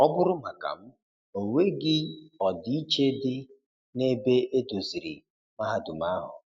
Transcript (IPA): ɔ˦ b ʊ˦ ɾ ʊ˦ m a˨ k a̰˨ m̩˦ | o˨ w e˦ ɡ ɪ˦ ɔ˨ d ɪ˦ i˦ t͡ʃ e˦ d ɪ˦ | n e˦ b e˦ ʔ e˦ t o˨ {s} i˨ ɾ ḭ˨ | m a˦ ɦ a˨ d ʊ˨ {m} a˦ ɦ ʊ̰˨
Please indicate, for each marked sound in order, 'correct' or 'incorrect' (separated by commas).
incorrect, correct